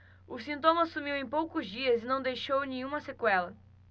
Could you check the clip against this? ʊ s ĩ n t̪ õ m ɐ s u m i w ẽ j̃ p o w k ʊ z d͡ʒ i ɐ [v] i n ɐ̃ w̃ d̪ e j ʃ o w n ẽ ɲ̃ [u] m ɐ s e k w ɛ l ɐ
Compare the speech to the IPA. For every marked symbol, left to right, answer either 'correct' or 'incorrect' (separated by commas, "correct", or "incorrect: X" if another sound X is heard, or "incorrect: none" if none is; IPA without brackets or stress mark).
incorrect: z, incorrect: ũ